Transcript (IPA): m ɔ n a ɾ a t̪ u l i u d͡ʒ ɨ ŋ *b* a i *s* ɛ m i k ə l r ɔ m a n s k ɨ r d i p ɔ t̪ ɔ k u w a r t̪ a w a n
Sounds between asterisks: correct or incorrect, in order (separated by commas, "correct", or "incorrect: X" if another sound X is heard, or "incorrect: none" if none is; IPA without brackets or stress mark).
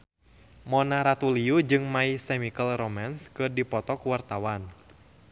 incorrect: m, correct